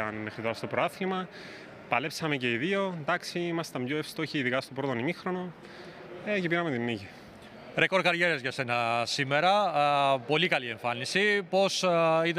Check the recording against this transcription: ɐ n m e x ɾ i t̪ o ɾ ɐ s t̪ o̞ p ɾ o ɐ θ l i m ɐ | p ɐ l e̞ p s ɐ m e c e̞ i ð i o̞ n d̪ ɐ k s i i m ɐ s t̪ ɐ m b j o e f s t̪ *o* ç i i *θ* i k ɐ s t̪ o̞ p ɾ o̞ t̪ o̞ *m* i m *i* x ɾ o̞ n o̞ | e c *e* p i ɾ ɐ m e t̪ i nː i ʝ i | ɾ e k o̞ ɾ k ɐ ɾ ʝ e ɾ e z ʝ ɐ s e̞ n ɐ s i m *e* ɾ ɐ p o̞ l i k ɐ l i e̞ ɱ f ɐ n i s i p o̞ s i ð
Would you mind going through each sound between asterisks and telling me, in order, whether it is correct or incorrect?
correct, incorrect: ð, incorrect: n, correct, correct, correct

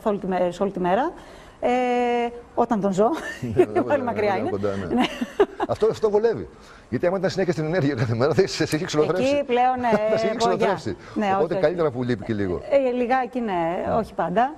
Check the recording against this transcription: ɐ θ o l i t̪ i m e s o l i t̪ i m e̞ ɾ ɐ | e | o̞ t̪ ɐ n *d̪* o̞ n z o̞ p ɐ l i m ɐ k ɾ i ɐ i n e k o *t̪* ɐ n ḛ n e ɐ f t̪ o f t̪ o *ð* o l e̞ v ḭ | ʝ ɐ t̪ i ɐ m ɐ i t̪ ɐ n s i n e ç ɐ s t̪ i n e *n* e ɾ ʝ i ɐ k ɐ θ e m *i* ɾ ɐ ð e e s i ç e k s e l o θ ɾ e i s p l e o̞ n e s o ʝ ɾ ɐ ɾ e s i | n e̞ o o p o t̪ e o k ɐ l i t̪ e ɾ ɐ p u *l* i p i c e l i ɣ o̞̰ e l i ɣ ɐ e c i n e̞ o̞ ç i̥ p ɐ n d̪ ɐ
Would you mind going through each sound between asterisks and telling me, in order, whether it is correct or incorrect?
incorrect: t̪, incorrect: d̪, incorrect: v, correct, incorrect: e, correct

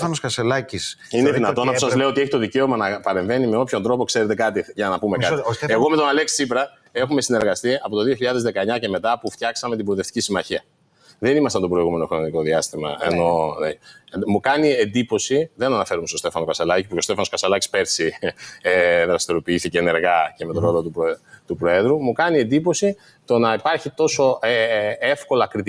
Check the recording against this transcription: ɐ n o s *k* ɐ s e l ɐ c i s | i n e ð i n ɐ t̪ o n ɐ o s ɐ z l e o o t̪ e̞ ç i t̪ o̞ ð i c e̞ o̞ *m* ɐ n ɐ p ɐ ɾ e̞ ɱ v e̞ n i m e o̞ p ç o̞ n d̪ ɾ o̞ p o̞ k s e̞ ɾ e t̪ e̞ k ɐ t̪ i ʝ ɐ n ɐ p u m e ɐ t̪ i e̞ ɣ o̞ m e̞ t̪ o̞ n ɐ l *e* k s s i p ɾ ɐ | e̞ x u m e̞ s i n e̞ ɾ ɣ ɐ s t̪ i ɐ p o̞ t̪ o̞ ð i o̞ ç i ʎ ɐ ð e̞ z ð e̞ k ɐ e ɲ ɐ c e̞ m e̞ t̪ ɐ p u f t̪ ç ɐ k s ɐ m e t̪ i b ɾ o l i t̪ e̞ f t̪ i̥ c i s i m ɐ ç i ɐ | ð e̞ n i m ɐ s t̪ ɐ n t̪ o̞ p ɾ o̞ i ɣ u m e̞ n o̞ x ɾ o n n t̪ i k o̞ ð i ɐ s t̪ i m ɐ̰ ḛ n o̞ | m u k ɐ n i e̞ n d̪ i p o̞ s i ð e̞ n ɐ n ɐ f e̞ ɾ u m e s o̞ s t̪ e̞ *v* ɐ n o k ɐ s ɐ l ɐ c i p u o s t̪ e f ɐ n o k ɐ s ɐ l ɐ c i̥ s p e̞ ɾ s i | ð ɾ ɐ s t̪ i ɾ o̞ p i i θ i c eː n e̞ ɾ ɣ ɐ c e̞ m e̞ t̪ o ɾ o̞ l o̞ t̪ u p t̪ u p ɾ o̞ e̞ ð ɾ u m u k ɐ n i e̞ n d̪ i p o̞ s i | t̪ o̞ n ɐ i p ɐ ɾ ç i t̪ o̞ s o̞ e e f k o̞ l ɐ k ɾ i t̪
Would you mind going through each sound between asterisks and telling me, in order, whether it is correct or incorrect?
correct, correct, correct, incorrect: f

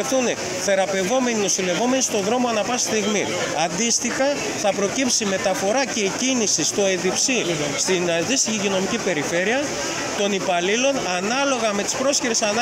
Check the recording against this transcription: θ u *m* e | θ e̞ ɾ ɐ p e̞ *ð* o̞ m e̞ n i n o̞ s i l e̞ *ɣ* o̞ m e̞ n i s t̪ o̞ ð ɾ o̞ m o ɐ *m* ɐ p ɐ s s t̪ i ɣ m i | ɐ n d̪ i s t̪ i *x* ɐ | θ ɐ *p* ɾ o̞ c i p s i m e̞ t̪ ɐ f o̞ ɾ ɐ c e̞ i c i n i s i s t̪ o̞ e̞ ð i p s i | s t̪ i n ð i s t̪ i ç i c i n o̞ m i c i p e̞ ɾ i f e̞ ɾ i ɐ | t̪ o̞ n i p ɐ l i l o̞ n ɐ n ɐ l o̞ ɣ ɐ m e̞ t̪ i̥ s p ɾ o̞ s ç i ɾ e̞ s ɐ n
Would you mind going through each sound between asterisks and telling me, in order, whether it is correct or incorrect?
incorrect: n, incorrect: v, incorrect: v, incorrect: n, correct, correct

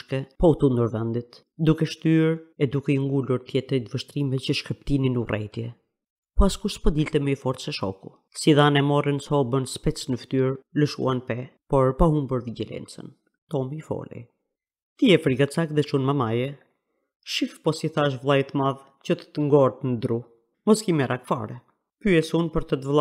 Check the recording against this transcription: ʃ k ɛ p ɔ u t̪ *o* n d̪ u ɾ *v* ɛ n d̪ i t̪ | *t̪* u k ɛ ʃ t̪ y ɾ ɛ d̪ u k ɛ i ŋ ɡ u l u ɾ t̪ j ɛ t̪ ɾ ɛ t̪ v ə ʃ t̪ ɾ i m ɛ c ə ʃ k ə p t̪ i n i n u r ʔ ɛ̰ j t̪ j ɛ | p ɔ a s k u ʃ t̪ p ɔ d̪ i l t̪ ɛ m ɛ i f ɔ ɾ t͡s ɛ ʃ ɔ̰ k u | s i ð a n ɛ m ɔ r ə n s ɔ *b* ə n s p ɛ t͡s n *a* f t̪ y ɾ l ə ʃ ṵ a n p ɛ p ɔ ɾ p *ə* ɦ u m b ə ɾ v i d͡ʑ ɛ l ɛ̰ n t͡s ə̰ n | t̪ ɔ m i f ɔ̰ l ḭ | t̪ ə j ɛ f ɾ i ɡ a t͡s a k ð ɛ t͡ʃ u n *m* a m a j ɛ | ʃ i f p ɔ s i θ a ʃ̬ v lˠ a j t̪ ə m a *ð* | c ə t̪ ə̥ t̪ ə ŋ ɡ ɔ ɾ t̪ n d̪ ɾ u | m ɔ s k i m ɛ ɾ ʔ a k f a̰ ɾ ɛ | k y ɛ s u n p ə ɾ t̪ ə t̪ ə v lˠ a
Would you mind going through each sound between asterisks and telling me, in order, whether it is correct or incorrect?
incorrect: u, correct, incorrect: d̪, correct, incorrect: ə, incorrect: a, correct, correct

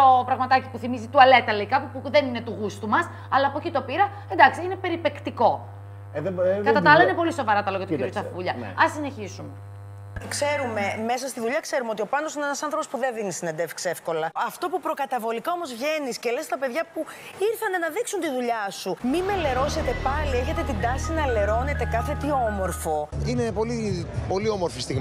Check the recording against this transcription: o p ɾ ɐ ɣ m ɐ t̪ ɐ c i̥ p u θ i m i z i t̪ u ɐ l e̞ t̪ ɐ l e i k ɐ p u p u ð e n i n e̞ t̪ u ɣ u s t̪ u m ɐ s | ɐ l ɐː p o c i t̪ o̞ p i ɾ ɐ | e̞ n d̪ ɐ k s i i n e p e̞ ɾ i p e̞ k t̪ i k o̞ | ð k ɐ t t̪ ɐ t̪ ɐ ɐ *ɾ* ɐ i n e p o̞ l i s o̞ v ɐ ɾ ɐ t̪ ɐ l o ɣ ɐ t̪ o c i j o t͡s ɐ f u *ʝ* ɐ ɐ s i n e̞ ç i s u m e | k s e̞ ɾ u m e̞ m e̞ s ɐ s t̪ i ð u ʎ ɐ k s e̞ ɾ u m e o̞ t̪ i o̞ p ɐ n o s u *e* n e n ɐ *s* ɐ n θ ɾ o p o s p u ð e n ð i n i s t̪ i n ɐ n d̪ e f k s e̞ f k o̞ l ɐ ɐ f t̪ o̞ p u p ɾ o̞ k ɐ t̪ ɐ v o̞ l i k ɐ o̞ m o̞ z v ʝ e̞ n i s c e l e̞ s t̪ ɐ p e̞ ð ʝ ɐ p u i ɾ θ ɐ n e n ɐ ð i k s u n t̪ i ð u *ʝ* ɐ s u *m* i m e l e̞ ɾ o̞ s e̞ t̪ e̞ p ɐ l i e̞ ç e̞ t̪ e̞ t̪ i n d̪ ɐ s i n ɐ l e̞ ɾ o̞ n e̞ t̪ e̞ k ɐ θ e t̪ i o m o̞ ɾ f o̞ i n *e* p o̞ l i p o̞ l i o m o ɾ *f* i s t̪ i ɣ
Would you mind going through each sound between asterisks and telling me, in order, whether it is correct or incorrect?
incorrect: l, incorrect: ʎ, incorrect: i, correct, incorrect: ʎ, correct, correct, correct

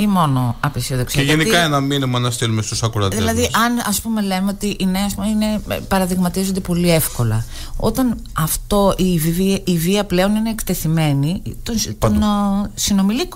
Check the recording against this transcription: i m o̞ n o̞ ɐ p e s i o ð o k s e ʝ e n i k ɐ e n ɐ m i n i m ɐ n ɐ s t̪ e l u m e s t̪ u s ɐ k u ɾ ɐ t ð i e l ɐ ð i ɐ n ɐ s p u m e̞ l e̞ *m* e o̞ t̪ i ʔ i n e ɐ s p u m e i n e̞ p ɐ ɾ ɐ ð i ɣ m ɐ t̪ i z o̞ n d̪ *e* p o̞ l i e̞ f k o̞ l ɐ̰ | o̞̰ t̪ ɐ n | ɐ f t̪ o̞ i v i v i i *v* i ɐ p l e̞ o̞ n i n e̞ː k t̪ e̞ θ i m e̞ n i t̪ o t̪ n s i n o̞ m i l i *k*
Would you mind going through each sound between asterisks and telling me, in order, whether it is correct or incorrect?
correct, correct, correct, correct

